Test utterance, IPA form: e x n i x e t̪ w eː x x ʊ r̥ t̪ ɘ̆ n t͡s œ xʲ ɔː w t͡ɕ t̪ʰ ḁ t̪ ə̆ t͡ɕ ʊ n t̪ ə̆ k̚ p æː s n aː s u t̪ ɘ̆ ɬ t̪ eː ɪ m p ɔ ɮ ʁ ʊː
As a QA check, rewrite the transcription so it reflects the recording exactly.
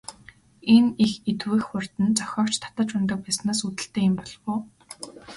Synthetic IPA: e n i x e t̪ w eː x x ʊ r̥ t̪ ɘ̆ n t͡s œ xʲ ɔː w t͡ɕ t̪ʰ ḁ t̪ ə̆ t͡ɕ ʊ n t̪ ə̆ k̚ p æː s n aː s u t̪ ɘ̆ ɬ t̪ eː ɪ m p ɔ ɮ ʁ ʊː